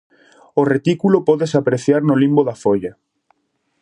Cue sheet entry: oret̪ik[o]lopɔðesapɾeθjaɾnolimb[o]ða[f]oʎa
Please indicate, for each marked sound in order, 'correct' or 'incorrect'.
incorrect: u, correct, correct

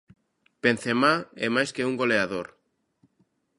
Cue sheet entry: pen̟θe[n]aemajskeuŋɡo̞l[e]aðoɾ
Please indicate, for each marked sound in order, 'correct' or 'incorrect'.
incorrect: m, correct

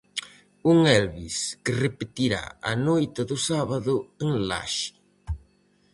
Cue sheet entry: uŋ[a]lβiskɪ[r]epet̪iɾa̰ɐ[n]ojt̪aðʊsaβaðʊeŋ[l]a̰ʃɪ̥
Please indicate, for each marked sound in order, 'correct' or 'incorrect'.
incorrect: ɛ, correct, correct, correct

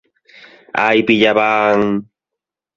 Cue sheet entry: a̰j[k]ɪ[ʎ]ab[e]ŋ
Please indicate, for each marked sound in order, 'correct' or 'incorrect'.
incorrect: p, correct, incorrect: a

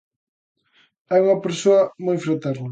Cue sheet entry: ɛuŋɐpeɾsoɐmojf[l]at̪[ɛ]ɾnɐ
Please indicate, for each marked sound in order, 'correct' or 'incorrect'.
incorrect: ɾ, correct

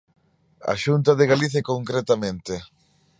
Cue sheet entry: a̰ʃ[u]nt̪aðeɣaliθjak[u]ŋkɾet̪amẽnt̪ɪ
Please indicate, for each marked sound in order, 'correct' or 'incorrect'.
correct, incorrect: o

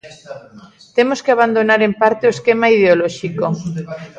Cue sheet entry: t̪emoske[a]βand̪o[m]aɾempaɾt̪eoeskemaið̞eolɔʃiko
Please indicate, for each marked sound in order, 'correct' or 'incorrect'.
correct, incorrect: n

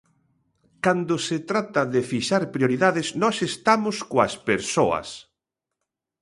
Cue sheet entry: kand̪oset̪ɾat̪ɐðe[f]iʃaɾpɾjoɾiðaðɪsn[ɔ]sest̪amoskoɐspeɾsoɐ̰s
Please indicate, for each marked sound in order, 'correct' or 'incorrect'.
correct, correct

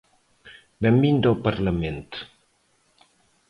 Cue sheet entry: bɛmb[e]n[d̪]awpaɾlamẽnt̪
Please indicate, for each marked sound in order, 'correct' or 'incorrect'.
incorrect: i, correct

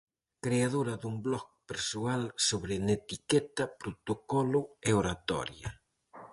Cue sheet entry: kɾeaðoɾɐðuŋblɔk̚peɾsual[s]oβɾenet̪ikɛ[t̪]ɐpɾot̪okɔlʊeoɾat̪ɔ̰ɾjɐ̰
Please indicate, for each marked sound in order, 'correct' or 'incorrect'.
correct, correct

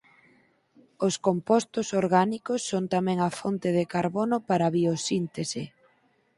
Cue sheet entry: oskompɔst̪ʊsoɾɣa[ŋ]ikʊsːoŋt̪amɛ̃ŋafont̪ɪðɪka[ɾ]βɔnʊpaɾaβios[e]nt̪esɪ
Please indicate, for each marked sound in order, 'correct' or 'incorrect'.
incorrect: n, correct, incorrect: i

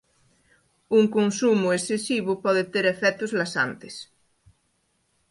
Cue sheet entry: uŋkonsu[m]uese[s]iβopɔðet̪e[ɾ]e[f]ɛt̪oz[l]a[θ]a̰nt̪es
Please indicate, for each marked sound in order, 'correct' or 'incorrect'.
correct, correct, correct, correct, correct, incorrect: s

